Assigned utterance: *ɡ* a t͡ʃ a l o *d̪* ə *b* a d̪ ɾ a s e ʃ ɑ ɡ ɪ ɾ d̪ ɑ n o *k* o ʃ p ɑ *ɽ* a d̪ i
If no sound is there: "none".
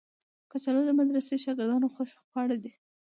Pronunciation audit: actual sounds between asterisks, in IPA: k, d̪, m, x, ɽ

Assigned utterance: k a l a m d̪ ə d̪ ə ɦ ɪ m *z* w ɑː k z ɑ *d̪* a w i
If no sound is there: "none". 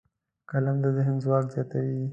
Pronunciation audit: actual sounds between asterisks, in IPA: z, t̪

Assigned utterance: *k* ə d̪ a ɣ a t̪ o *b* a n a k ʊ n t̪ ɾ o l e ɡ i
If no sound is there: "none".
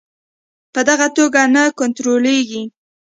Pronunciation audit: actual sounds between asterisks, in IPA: p, ɡ

